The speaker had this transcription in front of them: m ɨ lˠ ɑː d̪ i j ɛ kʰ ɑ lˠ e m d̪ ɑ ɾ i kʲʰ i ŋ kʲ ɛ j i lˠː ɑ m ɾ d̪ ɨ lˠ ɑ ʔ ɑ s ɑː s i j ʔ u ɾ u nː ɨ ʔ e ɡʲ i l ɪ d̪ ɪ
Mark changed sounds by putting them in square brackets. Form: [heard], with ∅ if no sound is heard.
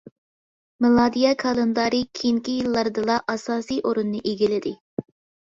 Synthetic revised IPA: m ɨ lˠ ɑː d̪ i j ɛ kʰ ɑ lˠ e [n] d̪ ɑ ɾ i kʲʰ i ŋ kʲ [i] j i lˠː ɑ [∅] ɾ d̪ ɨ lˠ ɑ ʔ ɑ s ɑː s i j ʔ [o] ɾ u nː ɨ ʔ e ɡʲ i l ɪ d̪ ɪ